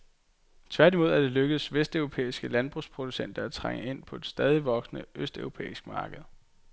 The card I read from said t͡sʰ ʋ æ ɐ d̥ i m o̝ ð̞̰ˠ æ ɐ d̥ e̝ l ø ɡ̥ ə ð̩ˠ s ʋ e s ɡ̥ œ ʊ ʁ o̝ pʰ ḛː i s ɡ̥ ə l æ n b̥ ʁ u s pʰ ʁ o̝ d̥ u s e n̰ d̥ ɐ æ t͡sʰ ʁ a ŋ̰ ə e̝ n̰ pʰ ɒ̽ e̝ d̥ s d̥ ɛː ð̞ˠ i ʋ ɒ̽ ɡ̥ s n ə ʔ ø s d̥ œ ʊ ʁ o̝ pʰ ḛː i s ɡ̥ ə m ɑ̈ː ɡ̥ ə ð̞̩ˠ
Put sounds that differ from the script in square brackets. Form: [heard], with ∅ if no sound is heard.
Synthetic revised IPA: t͡sʰ ʋ æ ɐ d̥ i m o̝ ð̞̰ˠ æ ɐ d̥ e̝ l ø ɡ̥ ə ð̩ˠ s ʋ e s [d̥] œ ʊ ʁ o̝ pʰ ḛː i s ɡ̥ ə l æ n b̥ ʁ u s pʰ ʁ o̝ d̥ u s e n̰ d̥ ɐ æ t͡sʰ ʁ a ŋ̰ ə e̝ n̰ pʰ ɒ̽ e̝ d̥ s d̥ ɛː ð̞ˠ i ʋ ɒ̽ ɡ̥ s n ə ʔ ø s d̥ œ ʊ ʁ o̝ pʰ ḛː i s ɡ̥ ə m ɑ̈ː ɡ̥ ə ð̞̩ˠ

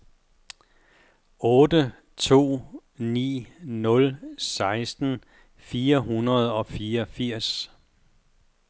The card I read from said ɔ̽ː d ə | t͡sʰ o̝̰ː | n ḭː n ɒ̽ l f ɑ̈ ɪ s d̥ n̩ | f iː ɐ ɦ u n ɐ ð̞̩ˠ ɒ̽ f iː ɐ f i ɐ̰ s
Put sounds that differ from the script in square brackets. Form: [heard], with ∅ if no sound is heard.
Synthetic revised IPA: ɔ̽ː d ə | t͡sʰ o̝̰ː | n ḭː n [ɔ̽] l [s] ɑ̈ ɪ s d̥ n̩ | f iː ɐ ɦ u n ɐ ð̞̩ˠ ɒ̽ f iː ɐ f i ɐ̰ s

